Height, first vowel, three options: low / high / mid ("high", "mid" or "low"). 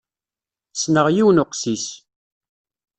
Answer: mid